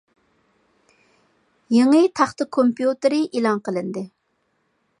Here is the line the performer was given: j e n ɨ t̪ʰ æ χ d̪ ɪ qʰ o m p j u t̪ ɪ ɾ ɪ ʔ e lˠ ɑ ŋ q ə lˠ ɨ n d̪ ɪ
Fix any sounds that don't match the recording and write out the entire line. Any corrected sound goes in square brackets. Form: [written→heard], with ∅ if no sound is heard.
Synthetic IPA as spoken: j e [n→ŋ] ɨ t̪ʰ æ χ [d̪→t̪] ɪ [qʰ→kʰ] o m p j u t̪ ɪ ɾ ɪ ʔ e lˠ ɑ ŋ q ə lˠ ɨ n d̪ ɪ

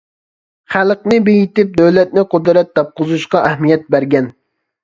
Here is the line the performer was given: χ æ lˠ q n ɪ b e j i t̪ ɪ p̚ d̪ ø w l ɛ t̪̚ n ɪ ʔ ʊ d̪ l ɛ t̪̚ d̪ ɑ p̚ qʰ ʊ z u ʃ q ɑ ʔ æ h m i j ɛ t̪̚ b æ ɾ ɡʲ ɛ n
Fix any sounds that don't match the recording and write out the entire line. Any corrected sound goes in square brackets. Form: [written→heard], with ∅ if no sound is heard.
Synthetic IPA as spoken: χ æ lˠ q n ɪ b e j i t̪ ɪ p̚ d̪ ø w l ɛ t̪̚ n ɪ [ʔ→q] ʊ d̪ [l→ɾ] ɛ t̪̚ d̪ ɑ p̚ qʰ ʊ z u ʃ q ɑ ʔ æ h m i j ɛ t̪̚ b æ ɾ ɡʲ ɛ n

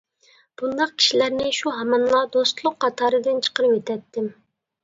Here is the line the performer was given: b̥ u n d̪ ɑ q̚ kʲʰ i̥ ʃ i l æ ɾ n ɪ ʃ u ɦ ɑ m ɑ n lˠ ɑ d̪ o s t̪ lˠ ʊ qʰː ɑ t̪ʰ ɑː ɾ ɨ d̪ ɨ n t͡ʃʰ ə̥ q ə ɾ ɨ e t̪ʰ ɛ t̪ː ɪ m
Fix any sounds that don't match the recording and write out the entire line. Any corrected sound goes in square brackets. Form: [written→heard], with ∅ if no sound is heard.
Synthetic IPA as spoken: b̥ u n d̪ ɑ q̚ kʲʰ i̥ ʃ i l æ ɾ n ɪ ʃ u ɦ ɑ m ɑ n lˠ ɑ d̪ o s t̪ lˠ ʊ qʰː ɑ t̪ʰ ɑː ɾ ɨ d̪ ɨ n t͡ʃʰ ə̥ q ə ɾ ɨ e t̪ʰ ɛ t̪ː ɪ m

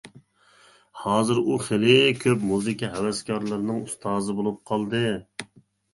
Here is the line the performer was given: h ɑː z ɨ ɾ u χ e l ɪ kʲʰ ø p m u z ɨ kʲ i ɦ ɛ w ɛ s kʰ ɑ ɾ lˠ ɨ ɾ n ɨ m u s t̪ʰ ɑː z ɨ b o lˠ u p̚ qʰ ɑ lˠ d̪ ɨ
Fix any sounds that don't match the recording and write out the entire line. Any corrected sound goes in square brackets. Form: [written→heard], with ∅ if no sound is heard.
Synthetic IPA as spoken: h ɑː z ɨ ɾ u χ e l ɪ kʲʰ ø p m u z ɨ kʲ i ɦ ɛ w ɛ s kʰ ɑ ɾ lˠ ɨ ɾ n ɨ [m→ŋ] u s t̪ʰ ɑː z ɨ b o lˠ u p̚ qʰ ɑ lˠ d̪ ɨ

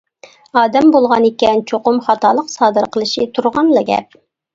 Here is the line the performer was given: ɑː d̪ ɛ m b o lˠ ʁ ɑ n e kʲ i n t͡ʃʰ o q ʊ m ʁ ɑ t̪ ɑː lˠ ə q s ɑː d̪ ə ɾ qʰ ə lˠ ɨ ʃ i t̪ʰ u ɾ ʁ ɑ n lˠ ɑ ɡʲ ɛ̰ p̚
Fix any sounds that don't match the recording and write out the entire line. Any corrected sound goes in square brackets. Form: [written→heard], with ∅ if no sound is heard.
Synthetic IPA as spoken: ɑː d̪ ɛ m b o lˠ ʁ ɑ n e kʲ [i→ɛ] n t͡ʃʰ o q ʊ m [ʁ→χ] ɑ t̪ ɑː lˠ ə q s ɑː d̪ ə ɾ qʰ ə lˠ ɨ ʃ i t̪ʰ u ɾ ʁ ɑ n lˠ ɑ ɡʲ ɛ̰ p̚

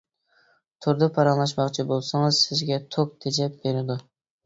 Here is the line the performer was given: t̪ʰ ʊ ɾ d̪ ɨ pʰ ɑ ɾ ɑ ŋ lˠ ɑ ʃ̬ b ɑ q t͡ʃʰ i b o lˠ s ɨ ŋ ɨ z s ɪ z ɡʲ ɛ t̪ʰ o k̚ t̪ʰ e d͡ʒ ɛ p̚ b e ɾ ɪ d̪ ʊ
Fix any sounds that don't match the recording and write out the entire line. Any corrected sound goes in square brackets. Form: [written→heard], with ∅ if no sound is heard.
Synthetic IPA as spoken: t̪ʰ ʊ ɾ d̪ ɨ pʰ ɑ ɾ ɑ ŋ lˠ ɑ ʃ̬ [b→m] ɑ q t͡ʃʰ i b o lˠ s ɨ ŋ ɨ z s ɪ z ɡʲ ɛ t̪ʰ o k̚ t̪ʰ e d͡ʒ ɛ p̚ b e ɾ ɪ d̪ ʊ

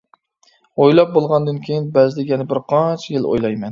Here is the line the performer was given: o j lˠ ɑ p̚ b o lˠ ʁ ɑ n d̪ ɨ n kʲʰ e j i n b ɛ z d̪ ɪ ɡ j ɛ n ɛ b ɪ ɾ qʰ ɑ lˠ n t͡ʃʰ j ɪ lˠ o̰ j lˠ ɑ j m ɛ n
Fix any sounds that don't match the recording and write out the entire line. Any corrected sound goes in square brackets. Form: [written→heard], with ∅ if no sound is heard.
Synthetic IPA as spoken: o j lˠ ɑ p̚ b o lˠ ʁ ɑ n d̪ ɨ n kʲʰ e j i n b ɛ z d̪ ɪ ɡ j ɛ n ɛ b ɪ ɾ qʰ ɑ [lˠ→∅] n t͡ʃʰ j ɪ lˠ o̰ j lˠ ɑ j m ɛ n

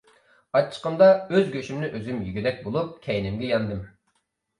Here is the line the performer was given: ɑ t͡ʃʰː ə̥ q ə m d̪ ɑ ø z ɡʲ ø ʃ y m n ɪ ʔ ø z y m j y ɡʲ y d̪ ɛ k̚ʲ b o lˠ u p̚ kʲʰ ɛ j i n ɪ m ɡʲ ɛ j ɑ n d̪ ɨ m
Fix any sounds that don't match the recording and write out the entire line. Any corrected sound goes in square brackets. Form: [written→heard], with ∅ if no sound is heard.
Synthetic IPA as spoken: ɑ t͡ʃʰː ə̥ q ə m d̪ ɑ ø z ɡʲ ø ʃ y m n ɪ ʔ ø z y m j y ɡʲ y d̪ ɛ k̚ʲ b o lˠ u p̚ kʲʰ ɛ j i n ɪ m ɡʲ ɛ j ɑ n d̪ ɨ m

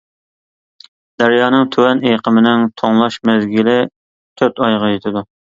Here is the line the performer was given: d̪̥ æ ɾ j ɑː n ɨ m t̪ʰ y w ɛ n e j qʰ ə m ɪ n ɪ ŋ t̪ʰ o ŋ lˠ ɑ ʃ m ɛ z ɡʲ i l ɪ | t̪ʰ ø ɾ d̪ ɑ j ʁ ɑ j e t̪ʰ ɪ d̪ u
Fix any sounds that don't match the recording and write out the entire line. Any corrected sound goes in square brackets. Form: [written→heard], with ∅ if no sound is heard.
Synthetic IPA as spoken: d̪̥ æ ɾ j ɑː n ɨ [m→ŋ] t̪ʰ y w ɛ n e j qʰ ə m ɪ n ɪ ŋ t̪ʰ o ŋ lˠ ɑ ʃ m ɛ z ɡʲ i l ɪ | t̪ʰ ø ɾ [d̪→t̪] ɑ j ʁ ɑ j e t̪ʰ ɪ d̪ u

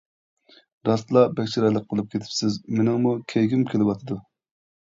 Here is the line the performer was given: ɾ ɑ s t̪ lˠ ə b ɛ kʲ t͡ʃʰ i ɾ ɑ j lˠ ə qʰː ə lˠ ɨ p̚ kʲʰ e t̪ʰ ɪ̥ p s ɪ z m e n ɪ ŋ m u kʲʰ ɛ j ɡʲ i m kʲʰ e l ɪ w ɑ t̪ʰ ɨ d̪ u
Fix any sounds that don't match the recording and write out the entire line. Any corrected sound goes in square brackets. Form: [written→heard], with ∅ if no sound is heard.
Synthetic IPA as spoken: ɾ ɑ s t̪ lˠ [ə→ɑ] b ɛ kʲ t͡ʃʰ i ɾ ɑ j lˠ ə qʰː ə lˠ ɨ p̚ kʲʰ e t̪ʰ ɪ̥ p s ɪ z m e n ɪ ŋ m u kʲʰ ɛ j ɡʲ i m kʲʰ e l ɪ w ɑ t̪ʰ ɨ d̪ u

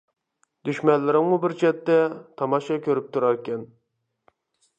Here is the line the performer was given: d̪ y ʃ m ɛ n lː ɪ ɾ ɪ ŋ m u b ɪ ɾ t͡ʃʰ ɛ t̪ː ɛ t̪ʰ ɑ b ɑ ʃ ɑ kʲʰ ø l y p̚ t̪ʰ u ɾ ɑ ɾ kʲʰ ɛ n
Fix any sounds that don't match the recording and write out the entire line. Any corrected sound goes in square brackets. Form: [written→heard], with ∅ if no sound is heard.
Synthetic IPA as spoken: d̪ y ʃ m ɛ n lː ɪ ɾ ɪ ŋ m u b ɪ ɾ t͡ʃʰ ɛ t̪ː ɛ t̪ʰ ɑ [b→m] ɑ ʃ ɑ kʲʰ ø [l→ɾ] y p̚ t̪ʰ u ɾ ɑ ɾ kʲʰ ɛ n

